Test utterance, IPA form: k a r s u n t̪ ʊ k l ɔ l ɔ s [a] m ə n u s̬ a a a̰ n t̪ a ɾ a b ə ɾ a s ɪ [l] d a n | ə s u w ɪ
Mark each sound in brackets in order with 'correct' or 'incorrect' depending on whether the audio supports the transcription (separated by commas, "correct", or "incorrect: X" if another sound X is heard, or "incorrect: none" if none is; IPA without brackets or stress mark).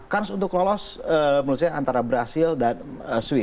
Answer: incorrect: ə, correct